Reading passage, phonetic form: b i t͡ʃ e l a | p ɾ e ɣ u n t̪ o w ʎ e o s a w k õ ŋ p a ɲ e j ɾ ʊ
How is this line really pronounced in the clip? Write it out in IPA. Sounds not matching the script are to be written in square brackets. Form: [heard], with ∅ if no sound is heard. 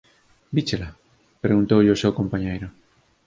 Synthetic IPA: b i t͡ʃ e l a | p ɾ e ɣ u n t̪ o w ʎ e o s [e] w k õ [m] p a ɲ e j ɾ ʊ